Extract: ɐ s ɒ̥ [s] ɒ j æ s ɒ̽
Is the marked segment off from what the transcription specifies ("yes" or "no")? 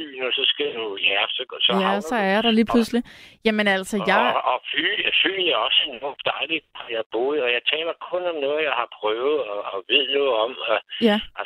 no